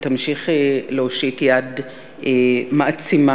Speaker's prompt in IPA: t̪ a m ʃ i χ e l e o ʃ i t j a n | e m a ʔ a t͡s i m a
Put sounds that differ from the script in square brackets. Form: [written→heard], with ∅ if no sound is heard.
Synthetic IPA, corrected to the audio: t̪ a m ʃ i χ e l e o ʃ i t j a [n→d] | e m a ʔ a t͡s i m a